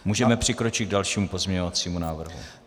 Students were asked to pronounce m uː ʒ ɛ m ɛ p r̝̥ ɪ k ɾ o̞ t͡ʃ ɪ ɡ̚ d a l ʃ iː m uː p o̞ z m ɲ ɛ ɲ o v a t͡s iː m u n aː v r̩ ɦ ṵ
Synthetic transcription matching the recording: m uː ʒ ɛ m ɛ p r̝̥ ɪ k ɾ o̞ t͡ʃ ɪ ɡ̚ d a l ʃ iː m u p o̞ z m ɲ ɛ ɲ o v a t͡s iː m u n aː v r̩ ɦ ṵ